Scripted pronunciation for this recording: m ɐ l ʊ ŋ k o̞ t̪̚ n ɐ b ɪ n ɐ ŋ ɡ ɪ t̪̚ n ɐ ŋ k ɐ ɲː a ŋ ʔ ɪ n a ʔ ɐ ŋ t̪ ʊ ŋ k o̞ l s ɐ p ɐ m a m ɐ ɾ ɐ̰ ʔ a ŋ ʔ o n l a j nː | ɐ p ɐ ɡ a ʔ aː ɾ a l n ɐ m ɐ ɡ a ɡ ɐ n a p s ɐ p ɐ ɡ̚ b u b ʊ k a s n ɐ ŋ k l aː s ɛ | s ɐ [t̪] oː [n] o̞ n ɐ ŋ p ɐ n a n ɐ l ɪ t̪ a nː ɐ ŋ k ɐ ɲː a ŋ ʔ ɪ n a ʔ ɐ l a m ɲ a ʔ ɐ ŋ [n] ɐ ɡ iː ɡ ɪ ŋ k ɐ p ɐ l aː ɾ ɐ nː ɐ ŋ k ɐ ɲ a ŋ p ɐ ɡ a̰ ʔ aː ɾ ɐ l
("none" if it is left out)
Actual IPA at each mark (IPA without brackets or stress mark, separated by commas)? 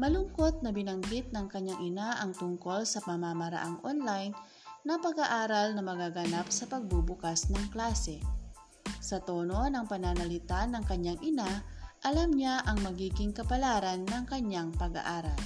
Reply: t̪, n, m